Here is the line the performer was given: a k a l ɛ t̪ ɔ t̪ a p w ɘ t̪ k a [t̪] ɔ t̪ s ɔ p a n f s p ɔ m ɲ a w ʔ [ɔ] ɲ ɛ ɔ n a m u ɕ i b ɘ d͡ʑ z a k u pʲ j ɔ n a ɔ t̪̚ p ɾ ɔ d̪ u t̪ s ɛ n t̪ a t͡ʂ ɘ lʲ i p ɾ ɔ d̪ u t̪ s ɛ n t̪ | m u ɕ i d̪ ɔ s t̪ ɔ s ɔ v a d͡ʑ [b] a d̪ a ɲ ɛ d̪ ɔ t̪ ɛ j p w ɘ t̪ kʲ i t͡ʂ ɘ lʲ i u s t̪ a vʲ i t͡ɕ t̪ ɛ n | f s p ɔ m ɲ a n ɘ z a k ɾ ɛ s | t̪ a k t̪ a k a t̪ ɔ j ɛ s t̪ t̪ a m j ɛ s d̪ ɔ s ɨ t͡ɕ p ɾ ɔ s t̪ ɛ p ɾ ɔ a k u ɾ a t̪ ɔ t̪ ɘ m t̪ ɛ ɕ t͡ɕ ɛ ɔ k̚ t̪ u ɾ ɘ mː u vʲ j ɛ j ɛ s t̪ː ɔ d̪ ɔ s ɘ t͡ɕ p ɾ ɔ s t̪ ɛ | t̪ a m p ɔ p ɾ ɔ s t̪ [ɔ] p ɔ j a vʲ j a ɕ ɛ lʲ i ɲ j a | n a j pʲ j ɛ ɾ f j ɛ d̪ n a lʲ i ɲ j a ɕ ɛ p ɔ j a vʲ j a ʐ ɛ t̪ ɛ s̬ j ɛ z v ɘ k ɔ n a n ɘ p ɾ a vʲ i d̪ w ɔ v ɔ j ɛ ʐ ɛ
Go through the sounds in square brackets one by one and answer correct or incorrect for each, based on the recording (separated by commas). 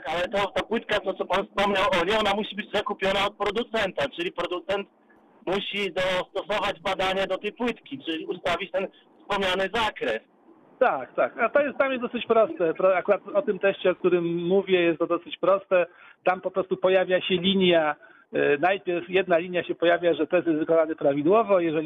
correct, correct, correct, incorrect